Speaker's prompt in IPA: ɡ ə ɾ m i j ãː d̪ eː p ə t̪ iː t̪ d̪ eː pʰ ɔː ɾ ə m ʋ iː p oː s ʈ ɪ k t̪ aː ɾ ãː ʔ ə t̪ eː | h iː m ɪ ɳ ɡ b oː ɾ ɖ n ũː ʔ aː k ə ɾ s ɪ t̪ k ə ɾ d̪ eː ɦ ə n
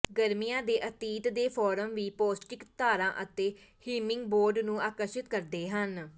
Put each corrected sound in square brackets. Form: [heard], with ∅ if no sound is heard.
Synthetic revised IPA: ɡ ə ɾ m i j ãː d̪ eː [ʔ] ə t̪ iː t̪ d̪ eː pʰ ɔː ɾ ə m ʋ iː p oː s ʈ ɪ k t̪ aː ɾ ãː ʔ ə t̪ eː | h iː m ɪ [ŋ] ɡ b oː ɾ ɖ n ũː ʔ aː k ə ɾ [ʃ] ɪ t̪ k ə ɾ d̪ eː ɦ ə n